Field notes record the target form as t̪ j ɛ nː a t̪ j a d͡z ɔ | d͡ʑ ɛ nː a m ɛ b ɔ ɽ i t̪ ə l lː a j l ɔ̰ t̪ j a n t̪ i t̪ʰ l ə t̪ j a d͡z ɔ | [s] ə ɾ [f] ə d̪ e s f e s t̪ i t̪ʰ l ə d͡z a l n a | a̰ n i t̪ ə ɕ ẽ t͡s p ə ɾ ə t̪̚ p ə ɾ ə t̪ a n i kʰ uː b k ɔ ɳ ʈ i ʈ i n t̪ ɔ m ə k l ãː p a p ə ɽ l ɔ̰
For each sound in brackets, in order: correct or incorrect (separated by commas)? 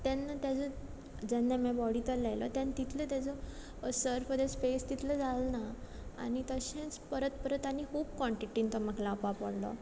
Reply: correct, correct